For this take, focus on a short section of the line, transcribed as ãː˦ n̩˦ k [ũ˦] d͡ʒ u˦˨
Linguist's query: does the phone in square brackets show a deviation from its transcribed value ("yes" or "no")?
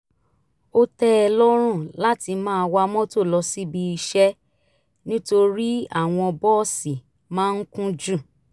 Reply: no